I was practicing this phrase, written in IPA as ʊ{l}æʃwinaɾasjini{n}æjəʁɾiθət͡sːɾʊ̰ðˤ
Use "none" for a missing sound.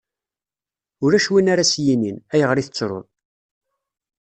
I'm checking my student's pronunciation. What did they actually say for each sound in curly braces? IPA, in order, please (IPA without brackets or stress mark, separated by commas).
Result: ɾ, n